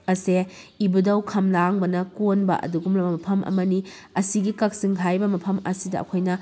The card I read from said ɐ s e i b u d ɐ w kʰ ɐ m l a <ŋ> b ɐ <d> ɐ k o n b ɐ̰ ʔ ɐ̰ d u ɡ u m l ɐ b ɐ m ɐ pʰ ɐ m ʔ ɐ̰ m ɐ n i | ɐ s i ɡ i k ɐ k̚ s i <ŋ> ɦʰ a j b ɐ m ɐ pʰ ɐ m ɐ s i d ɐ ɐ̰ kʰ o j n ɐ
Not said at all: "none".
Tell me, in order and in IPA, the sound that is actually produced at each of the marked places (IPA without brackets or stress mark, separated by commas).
ŋ, n, ŋ